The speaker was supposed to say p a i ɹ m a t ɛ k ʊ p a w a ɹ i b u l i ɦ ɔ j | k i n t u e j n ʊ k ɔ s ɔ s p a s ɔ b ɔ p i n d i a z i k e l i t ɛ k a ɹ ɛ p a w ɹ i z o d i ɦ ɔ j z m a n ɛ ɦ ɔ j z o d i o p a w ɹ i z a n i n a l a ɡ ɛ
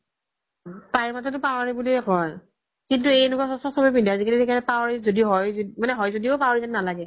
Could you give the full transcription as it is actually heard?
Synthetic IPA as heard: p a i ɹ m a t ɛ t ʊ p a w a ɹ i b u l i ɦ ɔ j | k i n t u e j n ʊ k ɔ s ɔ s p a s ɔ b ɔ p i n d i a z i k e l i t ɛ k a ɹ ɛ p a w ɹ i z o d i ɦ ɔ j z m a n ɛ ɦ ɔ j z o d i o p a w ɹ i z a n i n a l a ɡ ɛ